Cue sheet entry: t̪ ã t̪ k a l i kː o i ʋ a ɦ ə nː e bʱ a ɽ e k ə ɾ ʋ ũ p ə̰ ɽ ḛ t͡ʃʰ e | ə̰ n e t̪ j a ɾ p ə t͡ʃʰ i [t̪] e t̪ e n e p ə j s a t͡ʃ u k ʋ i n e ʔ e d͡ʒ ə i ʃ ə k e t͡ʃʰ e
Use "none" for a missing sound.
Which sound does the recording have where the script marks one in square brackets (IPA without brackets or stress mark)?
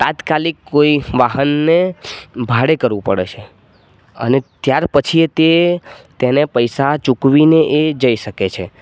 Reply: t̪